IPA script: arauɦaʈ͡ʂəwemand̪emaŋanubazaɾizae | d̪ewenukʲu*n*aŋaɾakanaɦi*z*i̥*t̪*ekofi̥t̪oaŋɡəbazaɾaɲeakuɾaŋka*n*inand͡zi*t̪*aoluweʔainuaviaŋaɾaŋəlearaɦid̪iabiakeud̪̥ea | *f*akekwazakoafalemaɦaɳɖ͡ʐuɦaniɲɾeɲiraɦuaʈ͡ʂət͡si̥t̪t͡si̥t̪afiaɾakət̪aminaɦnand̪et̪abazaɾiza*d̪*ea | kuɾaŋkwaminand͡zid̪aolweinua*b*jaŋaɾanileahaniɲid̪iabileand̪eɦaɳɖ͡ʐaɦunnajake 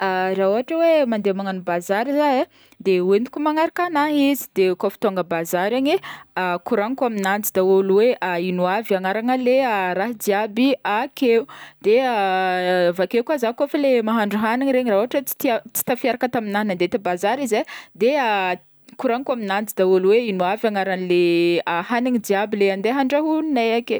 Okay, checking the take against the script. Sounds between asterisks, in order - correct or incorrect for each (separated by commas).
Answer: incorrect, correct, incorrect, incorrect, incorrect, incorrect, correct, incorrect